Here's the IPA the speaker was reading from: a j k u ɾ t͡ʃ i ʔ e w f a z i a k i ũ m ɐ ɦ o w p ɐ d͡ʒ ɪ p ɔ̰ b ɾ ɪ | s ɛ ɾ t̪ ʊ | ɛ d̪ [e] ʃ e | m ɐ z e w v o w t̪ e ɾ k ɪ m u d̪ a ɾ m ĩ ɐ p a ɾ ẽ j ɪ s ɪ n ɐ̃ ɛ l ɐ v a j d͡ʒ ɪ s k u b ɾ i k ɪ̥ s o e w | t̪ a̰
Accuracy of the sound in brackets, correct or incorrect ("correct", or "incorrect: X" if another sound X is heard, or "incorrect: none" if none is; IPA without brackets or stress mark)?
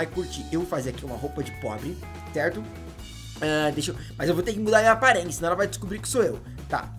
correct